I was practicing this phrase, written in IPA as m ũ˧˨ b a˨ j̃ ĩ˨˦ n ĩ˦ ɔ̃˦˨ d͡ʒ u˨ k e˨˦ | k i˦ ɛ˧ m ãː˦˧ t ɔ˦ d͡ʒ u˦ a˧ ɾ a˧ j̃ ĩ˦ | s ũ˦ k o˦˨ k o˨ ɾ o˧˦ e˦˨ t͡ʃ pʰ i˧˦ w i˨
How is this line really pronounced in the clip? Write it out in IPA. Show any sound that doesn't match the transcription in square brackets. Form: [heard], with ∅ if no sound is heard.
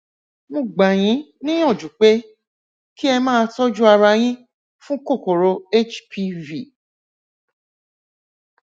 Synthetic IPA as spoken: m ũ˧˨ [ɡ͡b] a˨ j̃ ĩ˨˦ n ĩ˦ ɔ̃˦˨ d͡ʒ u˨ [k͡p] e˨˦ | k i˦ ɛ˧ m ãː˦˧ t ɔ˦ d͡ʒ u˦ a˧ ɾ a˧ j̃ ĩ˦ | [f] ũ˦ k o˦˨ k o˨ ɾ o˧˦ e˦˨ t͡ʃ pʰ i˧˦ [v] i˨

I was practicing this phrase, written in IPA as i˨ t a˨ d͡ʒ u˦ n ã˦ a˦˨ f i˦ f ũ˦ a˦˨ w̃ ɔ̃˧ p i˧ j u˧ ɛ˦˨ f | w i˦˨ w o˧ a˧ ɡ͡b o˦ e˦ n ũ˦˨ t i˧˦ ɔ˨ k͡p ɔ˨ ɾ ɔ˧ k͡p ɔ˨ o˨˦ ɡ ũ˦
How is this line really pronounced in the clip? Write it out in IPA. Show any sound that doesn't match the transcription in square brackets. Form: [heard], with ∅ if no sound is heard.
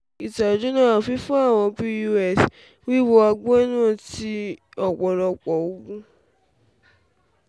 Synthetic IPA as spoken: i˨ t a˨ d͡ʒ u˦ n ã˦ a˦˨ f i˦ f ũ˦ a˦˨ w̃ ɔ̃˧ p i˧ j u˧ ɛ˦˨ [s] | w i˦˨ w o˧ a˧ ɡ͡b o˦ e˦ n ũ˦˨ t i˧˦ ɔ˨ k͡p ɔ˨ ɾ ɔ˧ k͡p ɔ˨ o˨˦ ɡ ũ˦

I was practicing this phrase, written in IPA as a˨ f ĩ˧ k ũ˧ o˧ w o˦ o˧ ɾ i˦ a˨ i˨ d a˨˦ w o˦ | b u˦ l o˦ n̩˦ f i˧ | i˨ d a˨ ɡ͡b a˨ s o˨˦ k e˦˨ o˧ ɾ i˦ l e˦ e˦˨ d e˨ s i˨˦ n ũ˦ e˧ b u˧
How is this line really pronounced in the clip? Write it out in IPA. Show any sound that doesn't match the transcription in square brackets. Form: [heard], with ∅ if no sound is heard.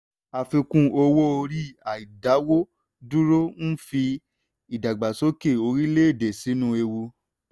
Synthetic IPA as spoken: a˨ f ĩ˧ k ũ˧ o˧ w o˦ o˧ ɾ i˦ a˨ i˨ d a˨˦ w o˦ | [d] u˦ [ɾ] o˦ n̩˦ f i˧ | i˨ d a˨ ɡ͡b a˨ s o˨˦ k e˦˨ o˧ ɾ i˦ l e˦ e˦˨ d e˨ s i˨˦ n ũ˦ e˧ [w] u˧

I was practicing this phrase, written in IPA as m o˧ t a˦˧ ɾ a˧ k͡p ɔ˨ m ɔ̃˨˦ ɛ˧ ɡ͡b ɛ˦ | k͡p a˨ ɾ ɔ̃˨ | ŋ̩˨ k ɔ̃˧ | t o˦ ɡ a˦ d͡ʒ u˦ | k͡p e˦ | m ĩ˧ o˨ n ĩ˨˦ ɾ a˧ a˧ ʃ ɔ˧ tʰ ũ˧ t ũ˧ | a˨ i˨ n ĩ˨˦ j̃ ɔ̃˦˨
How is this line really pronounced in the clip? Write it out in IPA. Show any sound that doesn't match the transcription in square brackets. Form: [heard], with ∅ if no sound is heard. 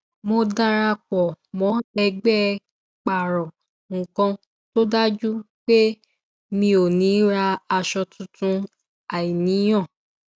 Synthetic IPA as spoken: m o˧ [d] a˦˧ ɾ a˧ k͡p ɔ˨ m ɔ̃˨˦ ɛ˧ ɡ͡b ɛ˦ | k͡p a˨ ɾ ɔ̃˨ | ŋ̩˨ k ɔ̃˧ | t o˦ [d] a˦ d͡ʒ u˦ | k͡p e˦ | m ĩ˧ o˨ n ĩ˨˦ ɾ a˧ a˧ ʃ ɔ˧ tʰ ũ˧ t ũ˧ | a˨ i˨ n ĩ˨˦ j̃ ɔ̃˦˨

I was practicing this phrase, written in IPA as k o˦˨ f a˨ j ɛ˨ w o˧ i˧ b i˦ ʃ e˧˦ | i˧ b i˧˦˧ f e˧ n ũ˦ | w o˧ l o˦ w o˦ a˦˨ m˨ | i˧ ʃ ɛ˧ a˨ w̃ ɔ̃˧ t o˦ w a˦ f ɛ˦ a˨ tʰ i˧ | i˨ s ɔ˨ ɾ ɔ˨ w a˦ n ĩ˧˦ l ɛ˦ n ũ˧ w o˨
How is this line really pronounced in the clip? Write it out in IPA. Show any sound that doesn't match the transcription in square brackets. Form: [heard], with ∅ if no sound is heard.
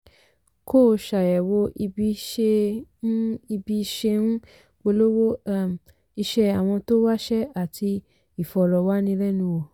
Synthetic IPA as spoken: k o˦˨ [ʃ] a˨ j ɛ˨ w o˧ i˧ b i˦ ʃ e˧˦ | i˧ b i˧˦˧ [ʃ] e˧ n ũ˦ | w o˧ l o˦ w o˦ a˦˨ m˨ | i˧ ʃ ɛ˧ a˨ w̃ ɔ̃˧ t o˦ w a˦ [ʃ] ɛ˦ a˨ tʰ i˧ | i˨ [f] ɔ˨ ɾ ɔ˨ w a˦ n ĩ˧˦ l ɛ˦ n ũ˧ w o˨

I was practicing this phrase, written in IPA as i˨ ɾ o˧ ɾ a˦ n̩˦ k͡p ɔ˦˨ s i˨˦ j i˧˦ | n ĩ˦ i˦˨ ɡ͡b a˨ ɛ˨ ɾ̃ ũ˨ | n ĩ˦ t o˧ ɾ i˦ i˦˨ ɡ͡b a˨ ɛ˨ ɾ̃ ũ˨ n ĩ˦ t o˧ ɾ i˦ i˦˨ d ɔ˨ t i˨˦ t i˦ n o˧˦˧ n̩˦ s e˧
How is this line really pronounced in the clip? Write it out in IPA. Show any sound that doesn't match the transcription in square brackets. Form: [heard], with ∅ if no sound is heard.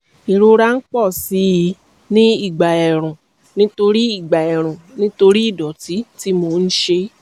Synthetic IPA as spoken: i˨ ɾ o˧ ɾ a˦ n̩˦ k͡p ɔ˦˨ s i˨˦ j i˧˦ | n ĩ˦ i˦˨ ɡ͡b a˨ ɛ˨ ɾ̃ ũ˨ | n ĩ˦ t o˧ ɾ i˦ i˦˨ ɡ͡b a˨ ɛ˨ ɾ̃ ũ˨ n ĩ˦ t o˧ ɾ i˦ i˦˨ d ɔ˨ t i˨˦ t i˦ [m] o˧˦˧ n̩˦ [ʃ] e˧

